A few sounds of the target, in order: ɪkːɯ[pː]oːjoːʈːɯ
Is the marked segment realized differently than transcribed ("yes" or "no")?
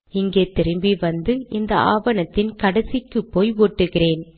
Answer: no